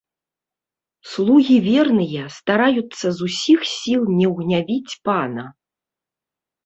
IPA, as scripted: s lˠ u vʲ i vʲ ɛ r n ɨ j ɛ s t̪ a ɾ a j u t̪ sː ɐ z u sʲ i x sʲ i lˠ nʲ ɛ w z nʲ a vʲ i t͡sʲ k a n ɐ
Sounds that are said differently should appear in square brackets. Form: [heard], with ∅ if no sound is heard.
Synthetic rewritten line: s lˠ u [ɣʲ] i vʲ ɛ r n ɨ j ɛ s t̪ a ɾ a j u t̪ sː ɐ z u sʲ i x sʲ i lˠ nʲ ɛ w [ɣ] nʲ a vʲ i t͡sʲ [p] a n ɐ